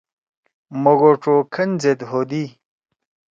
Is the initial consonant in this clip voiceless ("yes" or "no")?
no